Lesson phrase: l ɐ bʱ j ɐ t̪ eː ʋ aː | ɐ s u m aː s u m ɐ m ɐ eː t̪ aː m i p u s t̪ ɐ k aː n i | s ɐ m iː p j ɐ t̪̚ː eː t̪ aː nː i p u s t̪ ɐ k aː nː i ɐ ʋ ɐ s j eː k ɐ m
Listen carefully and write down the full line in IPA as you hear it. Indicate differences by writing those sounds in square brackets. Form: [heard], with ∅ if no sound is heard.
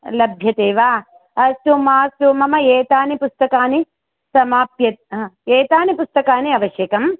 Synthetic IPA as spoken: l ɐ bʱ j ɐ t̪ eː ʋ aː | ɐ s u m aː s u m ɐ m ɐ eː t̪ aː [n] i p u s t̪ ɐ k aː n i | s ɐ m [aː] p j ɐ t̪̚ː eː t̪ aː [n] i p u s t̪ ɐ k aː [n] i ɐ ʋ ɐ [ʃ] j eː k ɐ m